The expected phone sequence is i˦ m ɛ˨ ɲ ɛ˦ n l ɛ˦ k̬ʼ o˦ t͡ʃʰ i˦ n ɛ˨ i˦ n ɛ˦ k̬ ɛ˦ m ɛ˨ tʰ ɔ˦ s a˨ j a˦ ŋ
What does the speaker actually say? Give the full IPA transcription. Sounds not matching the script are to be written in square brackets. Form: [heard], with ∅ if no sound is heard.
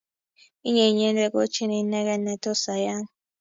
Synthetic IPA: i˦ [ɲ] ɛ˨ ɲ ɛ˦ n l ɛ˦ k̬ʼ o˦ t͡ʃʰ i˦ n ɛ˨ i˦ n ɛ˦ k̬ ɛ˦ [n] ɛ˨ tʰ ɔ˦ s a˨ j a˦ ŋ